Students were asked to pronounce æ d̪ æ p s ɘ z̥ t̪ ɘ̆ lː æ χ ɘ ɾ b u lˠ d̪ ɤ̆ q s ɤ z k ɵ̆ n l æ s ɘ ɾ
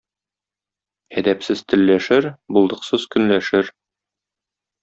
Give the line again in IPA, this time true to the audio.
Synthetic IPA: æ d̪ æ p s ɘ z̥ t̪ ɘ̆ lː æ ʃ ɘ ɾ b u lˠ d̪ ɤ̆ q s ɤ z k ɵ̆ n l æ ʃ ɘ ɾ